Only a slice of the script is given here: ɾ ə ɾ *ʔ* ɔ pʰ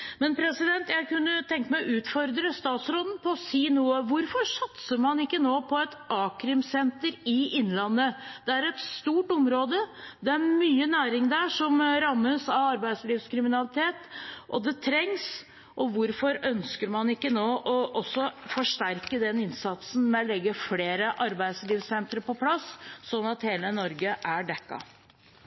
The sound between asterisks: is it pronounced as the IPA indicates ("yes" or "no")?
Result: no